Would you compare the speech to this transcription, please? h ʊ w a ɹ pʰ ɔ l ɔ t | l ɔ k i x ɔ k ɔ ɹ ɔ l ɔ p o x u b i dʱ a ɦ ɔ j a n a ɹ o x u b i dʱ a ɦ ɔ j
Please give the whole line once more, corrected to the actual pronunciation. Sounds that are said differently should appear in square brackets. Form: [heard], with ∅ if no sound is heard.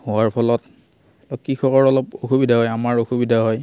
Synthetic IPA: h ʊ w a ɹ pʰ ɔ l ɔ t | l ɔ k i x ɔ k ɔ ɹ ɔ l ɔ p o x u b i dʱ a ɦ ɔ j a [m] a ɹ o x u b i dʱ a ɦ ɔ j